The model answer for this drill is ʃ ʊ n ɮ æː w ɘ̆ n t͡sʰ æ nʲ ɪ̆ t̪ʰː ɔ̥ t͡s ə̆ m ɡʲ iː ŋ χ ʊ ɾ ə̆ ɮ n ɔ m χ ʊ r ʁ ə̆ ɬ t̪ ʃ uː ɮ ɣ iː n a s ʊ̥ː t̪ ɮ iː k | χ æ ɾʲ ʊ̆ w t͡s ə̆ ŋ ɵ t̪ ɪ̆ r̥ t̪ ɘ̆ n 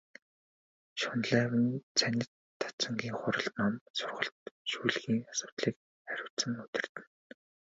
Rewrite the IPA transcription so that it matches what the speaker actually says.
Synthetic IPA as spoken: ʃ ʊ n ɮ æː w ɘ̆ n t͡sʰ æ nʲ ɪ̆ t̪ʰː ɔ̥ t͡s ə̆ ŋ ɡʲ iː ŋ χ ʊ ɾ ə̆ ɮ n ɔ m s ʊ r ʁ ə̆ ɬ t̪ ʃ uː ɮ ɣ iː ŋ a s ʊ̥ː t̪ ɮ iː k | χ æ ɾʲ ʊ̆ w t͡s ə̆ ŋ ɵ t̪ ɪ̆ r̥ t̪ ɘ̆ n

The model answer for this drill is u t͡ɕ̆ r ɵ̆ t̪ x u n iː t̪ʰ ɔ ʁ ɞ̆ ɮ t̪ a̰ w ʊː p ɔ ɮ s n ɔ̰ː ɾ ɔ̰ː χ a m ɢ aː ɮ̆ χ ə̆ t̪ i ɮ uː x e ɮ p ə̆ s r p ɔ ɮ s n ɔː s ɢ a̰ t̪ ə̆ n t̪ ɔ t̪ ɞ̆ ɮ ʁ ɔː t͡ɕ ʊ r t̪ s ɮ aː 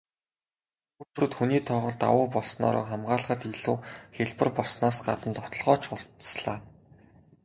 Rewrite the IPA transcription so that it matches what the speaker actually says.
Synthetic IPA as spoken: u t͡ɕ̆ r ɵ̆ t̪ x u n iː t̪ʰ ɔ ʁ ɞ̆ ɮ t̪ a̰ w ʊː p ɔ ɮ s n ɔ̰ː ɾ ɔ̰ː χ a m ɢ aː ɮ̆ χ ə̆ t̪ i ɮ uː x e ɮ p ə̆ r p ɔ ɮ s n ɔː s ɢ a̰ t̪ ə̆ n t̪ ɔ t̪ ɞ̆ ɮ ʁ ɔː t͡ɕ ʊ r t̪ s ɮ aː

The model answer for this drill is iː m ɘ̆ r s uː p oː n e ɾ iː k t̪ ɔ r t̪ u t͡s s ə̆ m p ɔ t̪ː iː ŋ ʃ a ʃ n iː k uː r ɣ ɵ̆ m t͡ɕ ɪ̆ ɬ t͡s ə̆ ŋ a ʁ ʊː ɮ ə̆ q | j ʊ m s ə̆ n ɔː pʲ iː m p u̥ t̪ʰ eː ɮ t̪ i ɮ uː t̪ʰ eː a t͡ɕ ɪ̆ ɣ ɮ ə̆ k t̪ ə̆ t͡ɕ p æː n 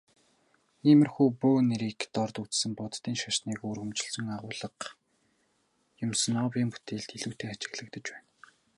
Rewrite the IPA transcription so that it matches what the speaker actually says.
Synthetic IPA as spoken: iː m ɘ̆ r x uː p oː n e ɾ iː k t̪ ɔ r t̪ u t͡s s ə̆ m p ɔ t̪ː iː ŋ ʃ a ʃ n iː k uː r ɣ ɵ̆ m t͡ɕ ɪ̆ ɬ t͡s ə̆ ŋ a ʁ ʊː ɮ ə̆ q | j ʊ m s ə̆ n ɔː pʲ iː m p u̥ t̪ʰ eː ɮ t̪ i ɮ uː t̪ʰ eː a t͡ɕ ɪ̆ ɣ ɮ ə̆ k t̪ ə̆ t͡ɕ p æː n

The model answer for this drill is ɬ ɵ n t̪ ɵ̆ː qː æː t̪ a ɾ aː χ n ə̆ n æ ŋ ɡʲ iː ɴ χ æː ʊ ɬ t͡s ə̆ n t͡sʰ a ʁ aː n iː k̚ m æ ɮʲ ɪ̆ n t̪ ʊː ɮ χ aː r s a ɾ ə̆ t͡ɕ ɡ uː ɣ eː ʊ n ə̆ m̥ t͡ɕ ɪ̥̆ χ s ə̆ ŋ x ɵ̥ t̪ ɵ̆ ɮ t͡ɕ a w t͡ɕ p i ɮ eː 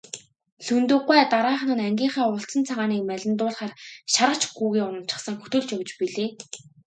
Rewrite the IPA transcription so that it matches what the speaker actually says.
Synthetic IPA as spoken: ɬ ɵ n t̪ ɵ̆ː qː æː t̪ a ɾ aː χ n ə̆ n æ ŋ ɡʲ iː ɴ χ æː ʊ ɬ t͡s ə̆ n t͡sʰ a ʁ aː n iː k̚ m æ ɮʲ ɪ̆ n t̪ ʊː ɮ χ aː r ʃ a ɾ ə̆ t͡ɕ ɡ uː ɣ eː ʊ n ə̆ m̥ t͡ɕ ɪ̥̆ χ s ə̆ ŋ x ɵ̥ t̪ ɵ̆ ɮ t͡ɕ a w t͡ɕ p i ɮ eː

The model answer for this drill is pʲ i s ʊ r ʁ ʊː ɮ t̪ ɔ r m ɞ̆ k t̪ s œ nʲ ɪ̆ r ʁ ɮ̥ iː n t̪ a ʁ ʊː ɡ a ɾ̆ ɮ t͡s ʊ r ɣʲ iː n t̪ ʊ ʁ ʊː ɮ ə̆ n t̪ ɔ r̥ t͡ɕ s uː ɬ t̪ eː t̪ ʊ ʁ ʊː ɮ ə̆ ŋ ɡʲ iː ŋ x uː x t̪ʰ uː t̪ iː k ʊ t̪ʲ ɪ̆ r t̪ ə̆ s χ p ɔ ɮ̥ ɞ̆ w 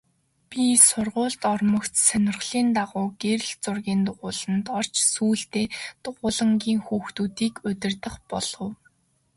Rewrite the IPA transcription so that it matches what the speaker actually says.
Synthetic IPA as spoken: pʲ i s ʊ r ʁ ʊː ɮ t̪ ɔ r m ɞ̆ k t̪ s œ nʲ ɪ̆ r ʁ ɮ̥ iː n t̪ a ʁ ʊː ɡ e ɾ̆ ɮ t͡s ʊ r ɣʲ iː n t̪ ʊ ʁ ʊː ɮ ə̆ n t̪ ɔ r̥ t͡ɕ s uː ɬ t̪ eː t̪ ʊ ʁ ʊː ɮ ə̆ ŋ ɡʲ iː ŋ x uː x t̪ uː t̪ iː k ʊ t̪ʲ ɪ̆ r t̪ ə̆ χ p ɔ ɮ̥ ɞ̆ w

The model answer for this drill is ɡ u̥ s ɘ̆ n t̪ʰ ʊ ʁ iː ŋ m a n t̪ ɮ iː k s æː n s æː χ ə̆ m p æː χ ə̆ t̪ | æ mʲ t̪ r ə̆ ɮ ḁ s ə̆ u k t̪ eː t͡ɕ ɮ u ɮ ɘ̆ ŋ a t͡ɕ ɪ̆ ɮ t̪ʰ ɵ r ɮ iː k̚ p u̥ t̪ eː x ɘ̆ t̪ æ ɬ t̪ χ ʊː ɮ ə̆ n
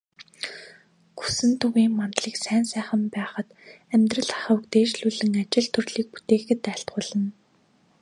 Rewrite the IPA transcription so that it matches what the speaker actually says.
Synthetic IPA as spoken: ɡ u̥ s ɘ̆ n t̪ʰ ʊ ɣ iː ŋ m a n t̪ ɮ iː k s æː n s æː χ ə̆ m p æː χ ə̆ t̪ | æ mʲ t̪ r ə̆ ɮ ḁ χ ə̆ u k t̪ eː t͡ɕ ɮ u ɮ ɘ̆ ŋ a t͡ɕ ɪ̆ ɮ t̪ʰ ɵ r ɮ iː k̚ p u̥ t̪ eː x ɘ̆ t̪ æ ɬ t̪ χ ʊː ɮ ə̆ n

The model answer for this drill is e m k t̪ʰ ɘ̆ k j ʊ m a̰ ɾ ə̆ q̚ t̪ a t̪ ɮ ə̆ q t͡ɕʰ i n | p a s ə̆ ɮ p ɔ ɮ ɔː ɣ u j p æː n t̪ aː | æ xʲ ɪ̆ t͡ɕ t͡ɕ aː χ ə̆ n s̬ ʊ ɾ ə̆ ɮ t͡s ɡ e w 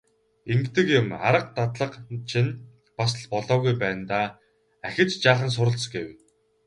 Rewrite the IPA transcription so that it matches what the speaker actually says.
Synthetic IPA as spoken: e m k t̪ ɘ̆ k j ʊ m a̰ ɾ ə̆ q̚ t̪ a t̪ ɮ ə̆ q t͡ɕʰ i n | p a s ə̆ ɮ p ɔ ɮ ɔː ɣ u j p æː n t̪ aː | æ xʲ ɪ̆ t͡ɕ t͡ɕ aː χ ə̆ n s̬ ʊ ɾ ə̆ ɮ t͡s ɡ e w

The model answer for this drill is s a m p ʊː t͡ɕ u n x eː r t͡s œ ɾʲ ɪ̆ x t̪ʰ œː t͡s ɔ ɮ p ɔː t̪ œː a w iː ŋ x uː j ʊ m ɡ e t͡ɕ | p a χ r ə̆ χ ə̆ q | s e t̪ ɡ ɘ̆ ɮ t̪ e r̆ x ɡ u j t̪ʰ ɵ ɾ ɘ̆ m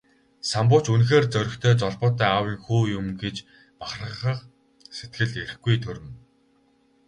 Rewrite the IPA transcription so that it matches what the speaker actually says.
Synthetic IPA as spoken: s a m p ʊː t͡ɕ u n x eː r t͡s œ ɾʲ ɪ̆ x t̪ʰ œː t͡s ɔ ɮ p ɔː t̪ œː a w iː ŋ x uː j ʊ m ɡ e t͡ɕ | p a χ r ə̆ χ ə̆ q | s e t̪ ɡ ɘ̆ ɮ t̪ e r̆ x ɡ u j t̪ʰ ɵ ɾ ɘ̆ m

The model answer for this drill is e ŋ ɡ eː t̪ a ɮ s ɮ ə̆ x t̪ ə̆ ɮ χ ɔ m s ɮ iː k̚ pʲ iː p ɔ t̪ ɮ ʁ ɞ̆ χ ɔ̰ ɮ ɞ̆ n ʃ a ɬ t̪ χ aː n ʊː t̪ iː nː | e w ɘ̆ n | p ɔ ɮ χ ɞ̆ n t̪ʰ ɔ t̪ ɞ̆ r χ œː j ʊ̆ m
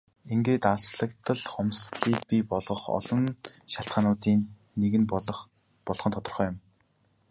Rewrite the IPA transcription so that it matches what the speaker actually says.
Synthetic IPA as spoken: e ŋ ɡ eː t̪ a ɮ s ɮ ə̆ k t̪ ə̆ ɮ χ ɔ m s ɮ iː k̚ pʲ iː p ɔ ɮ ʁ ɞ̆ χ ɔ̰ ɮ ɞ̆ n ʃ a ɬ t̪ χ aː n ʊː t̪ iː nː | e ɣ ɘ̆ n | p ɔ ɮ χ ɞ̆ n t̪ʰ ɔ t̪ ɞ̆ r χ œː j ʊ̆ m

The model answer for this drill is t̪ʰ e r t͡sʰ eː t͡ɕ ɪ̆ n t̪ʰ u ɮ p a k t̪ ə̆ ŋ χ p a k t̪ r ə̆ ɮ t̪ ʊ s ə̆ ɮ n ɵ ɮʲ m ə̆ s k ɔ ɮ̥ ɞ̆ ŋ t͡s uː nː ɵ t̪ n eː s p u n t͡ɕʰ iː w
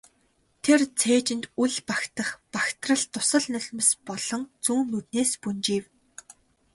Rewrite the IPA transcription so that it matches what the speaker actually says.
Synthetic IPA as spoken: t̪ʰ e r t͡sʰ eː t͡ɕ ɪ̆ n t̪ u ɮ p a k t̪ ə̆ χ p a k t̪ r ə̆ ɮ t̪ ʊ s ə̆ ɮ n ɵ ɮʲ m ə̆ s p ɔ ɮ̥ ɞ̆ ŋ t͡s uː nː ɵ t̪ n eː s p u n t͡ɕ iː w

